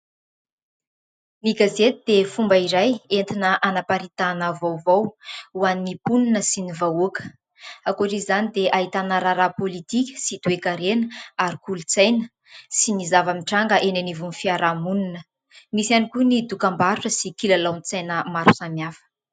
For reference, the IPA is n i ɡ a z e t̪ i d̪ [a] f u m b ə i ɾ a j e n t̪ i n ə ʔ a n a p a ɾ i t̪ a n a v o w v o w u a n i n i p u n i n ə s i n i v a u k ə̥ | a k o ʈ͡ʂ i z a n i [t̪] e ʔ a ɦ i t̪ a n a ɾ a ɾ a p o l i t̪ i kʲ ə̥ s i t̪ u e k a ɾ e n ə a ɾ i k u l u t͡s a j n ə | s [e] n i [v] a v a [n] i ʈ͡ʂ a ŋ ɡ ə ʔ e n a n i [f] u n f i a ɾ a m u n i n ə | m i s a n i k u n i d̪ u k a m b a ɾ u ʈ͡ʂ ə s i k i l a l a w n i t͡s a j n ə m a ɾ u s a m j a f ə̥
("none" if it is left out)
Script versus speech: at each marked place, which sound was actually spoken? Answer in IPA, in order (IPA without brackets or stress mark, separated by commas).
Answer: e, d̪, i, z, m, v